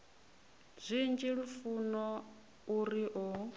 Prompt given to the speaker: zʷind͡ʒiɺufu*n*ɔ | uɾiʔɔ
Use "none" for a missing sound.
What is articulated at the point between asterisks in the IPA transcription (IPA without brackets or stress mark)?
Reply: n